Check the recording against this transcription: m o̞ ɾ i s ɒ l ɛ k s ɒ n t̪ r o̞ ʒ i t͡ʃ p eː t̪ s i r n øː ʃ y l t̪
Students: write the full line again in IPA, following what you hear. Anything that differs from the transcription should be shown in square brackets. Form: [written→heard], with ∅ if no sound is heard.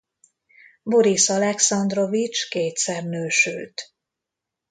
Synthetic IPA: [m→b] o̞ ɾ i s ɒ l ɛ k s ɒ n [t̪→d̪] r o̞ [ʒ→v] i t͡ʃ [p→k] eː t̪ s [i→ɛ] r n øː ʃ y l t̪

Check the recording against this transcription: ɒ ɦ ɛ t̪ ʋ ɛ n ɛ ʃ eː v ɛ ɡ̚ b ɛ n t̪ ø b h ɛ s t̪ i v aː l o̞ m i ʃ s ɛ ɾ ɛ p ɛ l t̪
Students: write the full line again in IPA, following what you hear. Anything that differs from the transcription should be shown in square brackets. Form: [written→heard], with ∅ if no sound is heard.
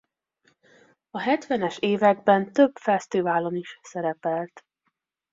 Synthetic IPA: ɒ ɦ ɛ t̪ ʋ ɛ n ɛ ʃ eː v ɛ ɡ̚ b ɛ n t̪ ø b [h→f] ɛ s t̪ i v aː l o̞ [m→n] i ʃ s ɛ ɾ ɛ p ɛ l t̪

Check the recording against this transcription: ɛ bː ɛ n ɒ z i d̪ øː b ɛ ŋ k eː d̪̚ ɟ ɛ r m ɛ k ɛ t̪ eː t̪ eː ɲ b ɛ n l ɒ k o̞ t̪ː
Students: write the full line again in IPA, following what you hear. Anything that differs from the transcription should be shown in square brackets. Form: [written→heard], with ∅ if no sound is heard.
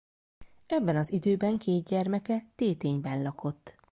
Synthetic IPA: ɛ bː ɛ n ɒ z i d̪ øː b ɛ ŋ k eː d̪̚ ɟ ɛ r m ɛ k ɛ t̪ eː t̪ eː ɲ b ɛ n l ɒ k o̞ t̪ː

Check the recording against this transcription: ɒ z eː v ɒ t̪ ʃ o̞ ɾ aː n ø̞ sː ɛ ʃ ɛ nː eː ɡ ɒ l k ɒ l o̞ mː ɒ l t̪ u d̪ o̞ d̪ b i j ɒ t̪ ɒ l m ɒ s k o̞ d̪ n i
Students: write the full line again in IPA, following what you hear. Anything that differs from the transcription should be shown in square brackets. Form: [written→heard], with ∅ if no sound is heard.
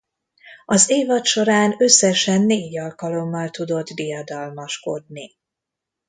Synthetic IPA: ɒ z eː v ɒ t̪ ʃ o̞ ɾ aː n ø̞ sː ɛ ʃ ɛ nː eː [ɡ→ɟ] ɒ l k ɒ l o̞ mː ɒ l t̪ u d̪ o̞ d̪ b i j ɒ [t̪→d̪] ɒ l m ɒ [s→ʃ] k o̞ d̪ n i

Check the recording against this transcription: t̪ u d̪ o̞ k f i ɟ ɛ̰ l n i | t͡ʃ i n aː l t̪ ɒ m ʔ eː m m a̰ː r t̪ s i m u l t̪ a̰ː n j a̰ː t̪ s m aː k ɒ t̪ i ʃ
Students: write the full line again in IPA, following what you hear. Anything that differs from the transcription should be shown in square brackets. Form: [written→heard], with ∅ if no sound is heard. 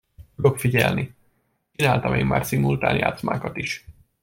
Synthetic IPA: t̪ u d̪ o̞ k f i ɟ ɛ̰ l n i | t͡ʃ i n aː l t̪ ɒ m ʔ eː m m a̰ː r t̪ s i m u l t̪ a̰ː n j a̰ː t̪ s m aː k ɒ t̪ i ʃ

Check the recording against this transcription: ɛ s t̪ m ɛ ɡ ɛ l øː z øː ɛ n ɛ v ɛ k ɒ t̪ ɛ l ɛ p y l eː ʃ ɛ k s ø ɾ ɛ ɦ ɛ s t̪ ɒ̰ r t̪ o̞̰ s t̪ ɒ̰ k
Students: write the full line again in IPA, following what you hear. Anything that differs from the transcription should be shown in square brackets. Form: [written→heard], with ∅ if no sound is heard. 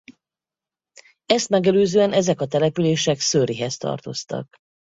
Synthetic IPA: ɛ s t̪ m ɛ ɡ ɛ l øː z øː ɛ n ɛ [v→z] ɛ k ɒ t̪ ɛ l ɛ p y l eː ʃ ɛ k s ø ɾ [ɛ→i] ɦ ɛ s t̪ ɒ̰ r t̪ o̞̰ s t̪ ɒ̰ k

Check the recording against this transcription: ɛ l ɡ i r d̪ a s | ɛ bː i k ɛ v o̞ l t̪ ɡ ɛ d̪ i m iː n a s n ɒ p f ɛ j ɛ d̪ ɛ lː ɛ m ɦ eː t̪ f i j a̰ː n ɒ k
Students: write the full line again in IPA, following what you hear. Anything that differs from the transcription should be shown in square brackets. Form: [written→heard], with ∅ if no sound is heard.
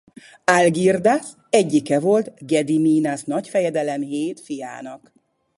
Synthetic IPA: [ɛ→a] l ɡ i r d̪ a s | ɛ [bː→ɟː] i k ɛ v o̞ l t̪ ɡ ɛ d̪ i m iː n a s n ɒ [p→c] f ɛ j ɛ d̪ ɛ [lː→l] ɛ m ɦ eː t̪ f i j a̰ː n ɒ k

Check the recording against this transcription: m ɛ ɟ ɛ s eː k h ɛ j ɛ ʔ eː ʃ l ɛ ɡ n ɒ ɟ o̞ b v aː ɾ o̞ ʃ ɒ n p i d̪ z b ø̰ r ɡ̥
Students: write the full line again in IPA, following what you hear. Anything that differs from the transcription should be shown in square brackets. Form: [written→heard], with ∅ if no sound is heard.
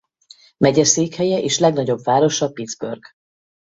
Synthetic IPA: m ɛ ɟ ɛ s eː k h ɛ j ɛ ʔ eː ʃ l ɛ ɡ n ɒ ɟ o̞ b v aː ɾ o̞ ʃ ɒ [n→∅] p i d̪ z b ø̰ r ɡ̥

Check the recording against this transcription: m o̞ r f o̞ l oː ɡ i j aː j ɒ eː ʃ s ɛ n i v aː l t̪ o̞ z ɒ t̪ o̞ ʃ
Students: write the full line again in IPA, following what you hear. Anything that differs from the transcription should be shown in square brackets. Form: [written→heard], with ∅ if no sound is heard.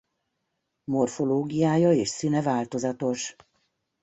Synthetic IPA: m o̞ r f o̞ l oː ɡ i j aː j ɒ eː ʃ s [ɛ→i] n [i→ɛ] v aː l t̪ o̞ z ɒ t̪ o̞ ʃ

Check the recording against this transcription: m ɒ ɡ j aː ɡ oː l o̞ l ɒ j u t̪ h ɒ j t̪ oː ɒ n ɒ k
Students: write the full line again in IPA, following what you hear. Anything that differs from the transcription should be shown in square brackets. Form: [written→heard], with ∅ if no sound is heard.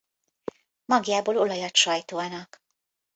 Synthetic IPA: m ɒ ɡ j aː [ɡ→b] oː l o̞ l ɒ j [u→ɒ] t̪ [h→ʃ] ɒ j t̪ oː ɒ n ɒ k

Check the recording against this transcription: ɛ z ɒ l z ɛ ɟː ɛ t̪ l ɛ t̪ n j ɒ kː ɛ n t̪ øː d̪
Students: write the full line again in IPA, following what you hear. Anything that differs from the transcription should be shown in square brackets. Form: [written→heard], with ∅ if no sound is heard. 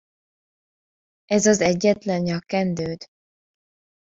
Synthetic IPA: ɛ z ɒ [l→∅] z ɛ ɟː ɛ t̪ l ɛ [t̪→∅] n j ɒ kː ɛ n [t̪→d̪] øː d̪

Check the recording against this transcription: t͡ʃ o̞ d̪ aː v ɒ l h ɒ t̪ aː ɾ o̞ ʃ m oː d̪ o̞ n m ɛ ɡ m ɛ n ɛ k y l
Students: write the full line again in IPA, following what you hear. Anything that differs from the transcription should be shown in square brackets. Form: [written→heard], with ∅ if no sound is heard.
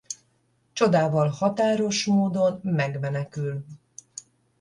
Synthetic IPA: t͡ʃ o̞ d̪ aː v ɒ l h ɒ t̪ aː ɾ o̞ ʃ m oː d̪ o̞ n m ɛ ɡ m ɛ n ɛ k y l

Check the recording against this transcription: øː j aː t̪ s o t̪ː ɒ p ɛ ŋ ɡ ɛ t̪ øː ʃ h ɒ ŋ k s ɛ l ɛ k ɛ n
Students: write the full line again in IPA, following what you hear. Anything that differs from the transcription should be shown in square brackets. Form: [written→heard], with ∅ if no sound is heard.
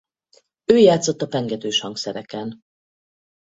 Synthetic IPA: øː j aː t̪ s o t̪ː ɒ p ɛ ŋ ɡ ɛ t̪ øː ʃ h ɒ ŋ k s ɛ [l→ɾ] ɛ k ɛ n

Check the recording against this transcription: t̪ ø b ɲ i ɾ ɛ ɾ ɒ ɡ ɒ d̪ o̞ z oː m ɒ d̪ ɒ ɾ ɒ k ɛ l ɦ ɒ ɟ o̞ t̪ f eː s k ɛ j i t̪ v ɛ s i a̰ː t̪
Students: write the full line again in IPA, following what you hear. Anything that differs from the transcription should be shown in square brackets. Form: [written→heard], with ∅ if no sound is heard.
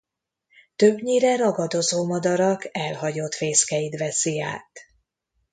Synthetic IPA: t̪ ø b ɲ i ɾ ɛ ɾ ɒ ɡ ɒ d̪ o̞ z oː m ɒ d̪ ɒ ɾ ɒ k ɛ l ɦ ɒ ɟ o̞ t̪ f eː s k ɛ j i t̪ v ɛ s i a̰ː t̪

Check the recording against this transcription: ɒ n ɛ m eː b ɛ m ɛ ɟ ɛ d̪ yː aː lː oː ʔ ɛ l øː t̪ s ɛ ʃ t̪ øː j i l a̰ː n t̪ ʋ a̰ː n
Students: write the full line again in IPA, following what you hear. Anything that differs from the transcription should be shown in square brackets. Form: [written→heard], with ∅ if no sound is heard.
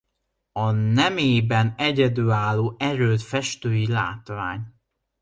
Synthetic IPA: ɒ n ɛ m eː b ɛ [m→n] ɛ ɟ ɛ d̪ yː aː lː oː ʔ ɛ [l→ɾ] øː t̪ [s→f] ɛ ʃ t̪ øː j i l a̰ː [n→∅] t̪ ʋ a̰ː [n→ɲ]

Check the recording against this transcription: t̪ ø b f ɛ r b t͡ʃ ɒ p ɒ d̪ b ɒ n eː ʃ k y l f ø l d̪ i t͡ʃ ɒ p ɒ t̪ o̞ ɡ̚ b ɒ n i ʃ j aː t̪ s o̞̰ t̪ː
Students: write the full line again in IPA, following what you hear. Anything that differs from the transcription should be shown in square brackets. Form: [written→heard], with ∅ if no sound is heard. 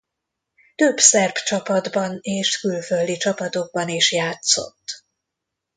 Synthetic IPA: t̪ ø b [f→s] ɛ r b t͡ʃ ɒ p ɒ d̪ b ɒ n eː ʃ k y l f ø l d̪ i t͡ʃ ɒ p ɒ t̪ o̞ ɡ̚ b ɒ n i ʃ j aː t̪ s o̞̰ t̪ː

